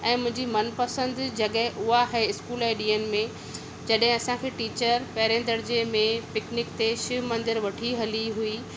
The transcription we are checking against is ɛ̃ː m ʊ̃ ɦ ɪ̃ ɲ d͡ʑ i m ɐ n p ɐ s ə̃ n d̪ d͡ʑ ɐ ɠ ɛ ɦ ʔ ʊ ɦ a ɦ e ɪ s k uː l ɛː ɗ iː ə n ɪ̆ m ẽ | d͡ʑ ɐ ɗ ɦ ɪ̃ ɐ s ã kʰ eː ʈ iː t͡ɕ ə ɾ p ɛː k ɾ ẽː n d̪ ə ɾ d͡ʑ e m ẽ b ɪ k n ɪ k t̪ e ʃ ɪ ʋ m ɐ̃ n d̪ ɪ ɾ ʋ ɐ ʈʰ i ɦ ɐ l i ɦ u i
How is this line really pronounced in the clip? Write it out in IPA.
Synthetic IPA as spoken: ɛ̃ː m ʊ̃ ɦ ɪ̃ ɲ d͡ʑ i m ɐ n p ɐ s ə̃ n d̪ d͡ʑ ɐ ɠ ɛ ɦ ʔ ʊ ɦ a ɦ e ɪ s k uː l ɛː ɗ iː ə n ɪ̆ m ẽ | d͡ʑ ɐ ɗ ɦ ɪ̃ ɐ s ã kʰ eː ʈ iː t͡ɕ ə ɾ p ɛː ɾ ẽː n d̪ ə ɾ d͡ʑ e m ẽ p ɪ k n ɪ k t̪ e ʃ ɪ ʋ m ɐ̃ n d̪ ɪ ɾ ʋ ɐ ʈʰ i ɦ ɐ l i ɦ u i